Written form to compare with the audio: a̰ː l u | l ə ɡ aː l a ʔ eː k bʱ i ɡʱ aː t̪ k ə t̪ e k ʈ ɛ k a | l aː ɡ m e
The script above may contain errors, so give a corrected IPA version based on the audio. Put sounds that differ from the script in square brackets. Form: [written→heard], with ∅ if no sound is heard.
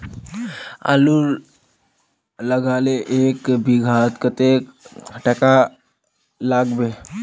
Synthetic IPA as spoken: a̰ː l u | l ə ɡ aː l [a→e] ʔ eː k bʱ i ɡʱ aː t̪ k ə t̪ e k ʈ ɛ k a | l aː ɡ [m→b] e